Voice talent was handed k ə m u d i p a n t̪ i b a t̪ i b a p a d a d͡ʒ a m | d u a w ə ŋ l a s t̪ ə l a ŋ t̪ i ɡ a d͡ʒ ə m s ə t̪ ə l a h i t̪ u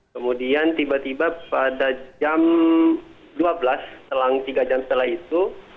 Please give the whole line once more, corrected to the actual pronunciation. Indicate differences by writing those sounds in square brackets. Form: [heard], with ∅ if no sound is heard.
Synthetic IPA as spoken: k ə m u d i [∅] a n t̪ i b a t̪ i b a p a d a d͡ʒ a m | d u a [b] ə [∅] l a s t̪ ə l a ŋ t̪ i ɡ a d͡ʒ [a] m s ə t̪ ə l a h i t̪ u